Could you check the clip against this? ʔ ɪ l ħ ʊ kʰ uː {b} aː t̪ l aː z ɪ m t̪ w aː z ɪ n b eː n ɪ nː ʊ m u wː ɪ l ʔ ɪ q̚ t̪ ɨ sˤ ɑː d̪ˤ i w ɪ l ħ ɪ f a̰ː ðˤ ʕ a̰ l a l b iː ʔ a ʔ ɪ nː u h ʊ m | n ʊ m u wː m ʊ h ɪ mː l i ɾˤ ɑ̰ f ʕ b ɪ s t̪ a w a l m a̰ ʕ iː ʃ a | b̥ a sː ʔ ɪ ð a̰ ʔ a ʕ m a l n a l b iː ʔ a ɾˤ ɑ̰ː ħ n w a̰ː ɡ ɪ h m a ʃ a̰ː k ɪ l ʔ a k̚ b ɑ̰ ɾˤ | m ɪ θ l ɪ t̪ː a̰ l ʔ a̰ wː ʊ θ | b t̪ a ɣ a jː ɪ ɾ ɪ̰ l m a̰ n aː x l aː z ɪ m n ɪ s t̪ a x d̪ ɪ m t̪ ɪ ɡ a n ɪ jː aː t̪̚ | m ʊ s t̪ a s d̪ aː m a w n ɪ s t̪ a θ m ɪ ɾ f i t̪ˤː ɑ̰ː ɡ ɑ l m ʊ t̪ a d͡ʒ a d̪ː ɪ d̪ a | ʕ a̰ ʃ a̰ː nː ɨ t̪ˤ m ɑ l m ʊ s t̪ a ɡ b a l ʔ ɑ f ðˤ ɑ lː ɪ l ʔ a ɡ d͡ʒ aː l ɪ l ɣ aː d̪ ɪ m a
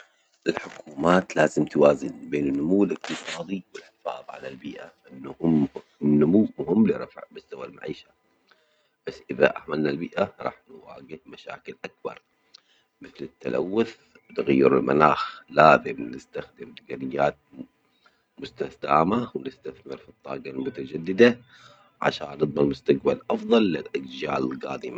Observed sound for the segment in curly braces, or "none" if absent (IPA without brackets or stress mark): m